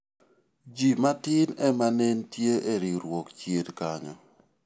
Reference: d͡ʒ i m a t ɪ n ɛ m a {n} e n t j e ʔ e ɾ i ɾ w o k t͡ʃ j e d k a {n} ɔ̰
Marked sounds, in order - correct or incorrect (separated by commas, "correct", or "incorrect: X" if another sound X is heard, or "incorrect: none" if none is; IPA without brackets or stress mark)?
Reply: correct, incorrect: ɲ